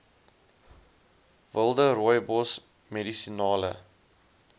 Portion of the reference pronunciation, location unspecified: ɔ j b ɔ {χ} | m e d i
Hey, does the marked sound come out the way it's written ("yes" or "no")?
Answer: no